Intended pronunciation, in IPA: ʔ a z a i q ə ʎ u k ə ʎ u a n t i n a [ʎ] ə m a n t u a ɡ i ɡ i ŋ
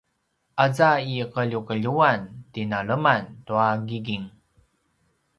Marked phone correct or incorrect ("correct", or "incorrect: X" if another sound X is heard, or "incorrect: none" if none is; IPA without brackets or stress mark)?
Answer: incorrect: ɭ